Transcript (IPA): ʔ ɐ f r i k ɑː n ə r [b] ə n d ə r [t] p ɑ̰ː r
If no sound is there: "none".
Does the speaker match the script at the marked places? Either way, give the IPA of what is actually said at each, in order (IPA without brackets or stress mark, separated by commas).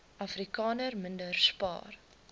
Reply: m, s